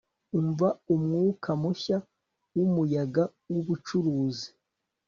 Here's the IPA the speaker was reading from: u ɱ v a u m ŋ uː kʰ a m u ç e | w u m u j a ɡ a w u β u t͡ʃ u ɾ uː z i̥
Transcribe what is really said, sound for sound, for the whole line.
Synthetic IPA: u ɱ v a u m ŋ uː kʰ a m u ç a | w u m u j a ɡ a w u β u t͡ʃ u ɾ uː z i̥